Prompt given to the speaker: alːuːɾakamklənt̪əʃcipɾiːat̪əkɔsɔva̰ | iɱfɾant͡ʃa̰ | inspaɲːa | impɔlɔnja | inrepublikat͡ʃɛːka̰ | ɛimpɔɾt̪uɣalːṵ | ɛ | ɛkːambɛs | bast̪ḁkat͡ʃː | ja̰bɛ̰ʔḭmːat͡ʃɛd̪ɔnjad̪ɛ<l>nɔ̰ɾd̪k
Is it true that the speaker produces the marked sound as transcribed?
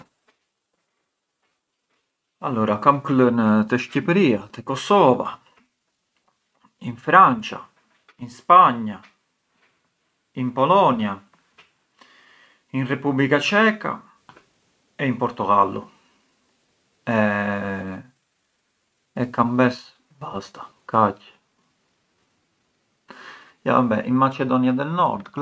yes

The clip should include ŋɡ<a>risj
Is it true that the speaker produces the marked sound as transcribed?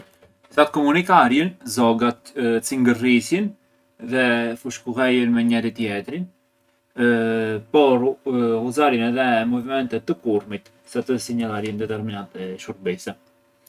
no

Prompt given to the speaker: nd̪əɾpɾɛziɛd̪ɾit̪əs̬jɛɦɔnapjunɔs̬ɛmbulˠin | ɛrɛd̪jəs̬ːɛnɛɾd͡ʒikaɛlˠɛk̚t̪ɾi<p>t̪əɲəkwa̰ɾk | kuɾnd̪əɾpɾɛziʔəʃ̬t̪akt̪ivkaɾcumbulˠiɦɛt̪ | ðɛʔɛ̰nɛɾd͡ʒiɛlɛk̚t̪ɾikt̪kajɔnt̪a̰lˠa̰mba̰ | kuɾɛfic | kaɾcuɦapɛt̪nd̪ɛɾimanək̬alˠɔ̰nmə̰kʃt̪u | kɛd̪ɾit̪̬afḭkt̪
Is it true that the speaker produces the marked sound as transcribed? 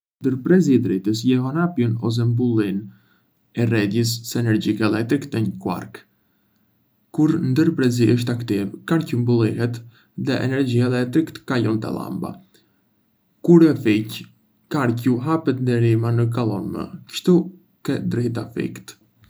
no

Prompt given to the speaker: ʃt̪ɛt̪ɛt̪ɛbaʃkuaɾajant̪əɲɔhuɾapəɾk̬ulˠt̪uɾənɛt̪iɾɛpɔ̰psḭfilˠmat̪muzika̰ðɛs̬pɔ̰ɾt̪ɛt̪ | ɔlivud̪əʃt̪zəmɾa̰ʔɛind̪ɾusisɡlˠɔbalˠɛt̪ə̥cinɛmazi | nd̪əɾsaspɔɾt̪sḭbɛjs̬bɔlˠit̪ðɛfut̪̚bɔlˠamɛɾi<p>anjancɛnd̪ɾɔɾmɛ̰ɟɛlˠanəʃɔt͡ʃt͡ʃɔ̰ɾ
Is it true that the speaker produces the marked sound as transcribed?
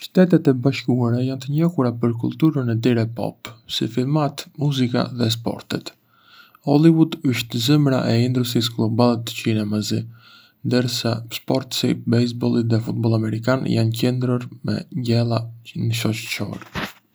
no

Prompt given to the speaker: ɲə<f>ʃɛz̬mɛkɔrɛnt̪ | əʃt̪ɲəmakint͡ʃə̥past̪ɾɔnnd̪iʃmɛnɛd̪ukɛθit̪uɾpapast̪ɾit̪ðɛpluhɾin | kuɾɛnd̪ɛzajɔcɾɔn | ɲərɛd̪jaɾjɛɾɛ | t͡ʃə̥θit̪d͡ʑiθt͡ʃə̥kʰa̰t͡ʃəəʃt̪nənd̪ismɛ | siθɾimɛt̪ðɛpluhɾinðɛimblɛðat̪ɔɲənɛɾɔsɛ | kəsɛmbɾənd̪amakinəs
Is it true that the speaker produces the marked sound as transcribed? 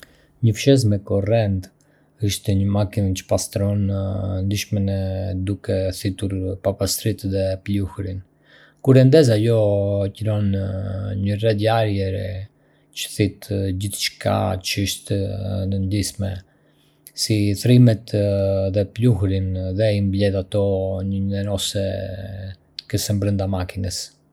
yes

